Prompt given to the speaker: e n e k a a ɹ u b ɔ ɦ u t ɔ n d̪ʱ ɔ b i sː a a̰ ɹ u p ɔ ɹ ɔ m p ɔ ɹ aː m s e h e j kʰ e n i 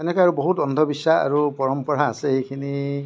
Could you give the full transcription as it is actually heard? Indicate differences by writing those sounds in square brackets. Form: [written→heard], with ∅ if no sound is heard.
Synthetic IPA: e n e k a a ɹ u b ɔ ɦ u t ɔ n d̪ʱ ɔ b i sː a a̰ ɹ u p ɔ ɹ ɔ m p ɔ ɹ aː [m→∅] s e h e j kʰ [e→i] n i